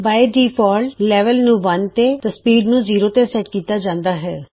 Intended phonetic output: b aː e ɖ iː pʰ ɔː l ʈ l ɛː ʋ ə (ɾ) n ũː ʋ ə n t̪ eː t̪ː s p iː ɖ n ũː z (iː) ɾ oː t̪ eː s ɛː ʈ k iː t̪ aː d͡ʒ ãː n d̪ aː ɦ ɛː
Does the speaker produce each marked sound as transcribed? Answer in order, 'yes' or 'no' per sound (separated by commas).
no, yes